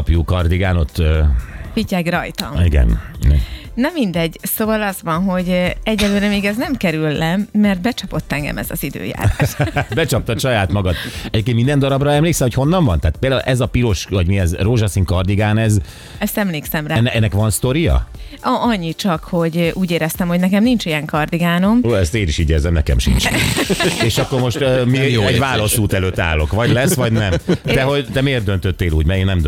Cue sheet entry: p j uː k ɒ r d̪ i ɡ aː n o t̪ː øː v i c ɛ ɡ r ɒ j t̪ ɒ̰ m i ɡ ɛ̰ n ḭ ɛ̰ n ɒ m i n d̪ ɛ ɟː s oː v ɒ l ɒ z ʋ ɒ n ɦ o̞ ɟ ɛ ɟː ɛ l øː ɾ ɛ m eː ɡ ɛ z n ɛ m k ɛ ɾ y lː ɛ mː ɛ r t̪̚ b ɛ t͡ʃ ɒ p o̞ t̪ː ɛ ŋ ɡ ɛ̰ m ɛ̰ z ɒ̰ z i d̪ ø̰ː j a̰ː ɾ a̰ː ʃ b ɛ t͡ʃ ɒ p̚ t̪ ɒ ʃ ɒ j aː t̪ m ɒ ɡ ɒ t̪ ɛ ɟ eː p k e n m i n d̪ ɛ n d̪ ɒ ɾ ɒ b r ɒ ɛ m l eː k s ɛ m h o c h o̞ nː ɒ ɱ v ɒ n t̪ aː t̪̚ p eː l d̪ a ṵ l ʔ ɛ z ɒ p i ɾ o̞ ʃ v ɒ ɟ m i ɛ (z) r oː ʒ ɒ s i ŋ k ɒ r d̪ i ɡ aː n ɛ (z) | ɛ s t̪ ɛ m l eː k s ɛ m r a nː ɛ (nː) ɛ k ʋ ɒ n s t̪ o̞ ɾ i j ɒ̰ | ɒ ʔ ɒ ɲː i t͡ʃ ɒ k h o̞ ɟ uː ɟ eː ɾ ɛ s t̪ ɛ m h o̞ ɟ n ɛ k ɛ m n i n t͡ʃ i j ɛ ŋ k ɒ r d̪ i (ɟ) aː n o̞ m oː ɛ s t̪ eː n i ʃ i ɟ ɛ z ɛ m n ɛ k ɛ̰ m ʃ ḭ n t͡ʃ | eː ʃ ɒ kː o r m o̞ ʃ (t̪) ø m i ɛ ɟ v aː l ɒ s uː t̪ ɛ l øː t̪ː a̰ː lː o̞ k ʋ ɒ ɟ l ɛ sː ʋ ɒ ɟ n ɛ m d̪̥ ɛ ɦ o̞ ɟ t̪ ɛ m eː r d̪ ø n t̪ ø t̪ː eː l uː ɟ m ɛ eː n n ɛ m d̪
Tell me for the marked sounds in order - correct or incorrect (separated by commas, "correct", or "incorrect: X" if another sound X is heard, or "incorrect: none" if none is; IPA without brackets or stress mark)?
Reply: correct, correct, correct, incorrect: ɡ, correct